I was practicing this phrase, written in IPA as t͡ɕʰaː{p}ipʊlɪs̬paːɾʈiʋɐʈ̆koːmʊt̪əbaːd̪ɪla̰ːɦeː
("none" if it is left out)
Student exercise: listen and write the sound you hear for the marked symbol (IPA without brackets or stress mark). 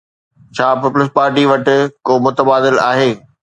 p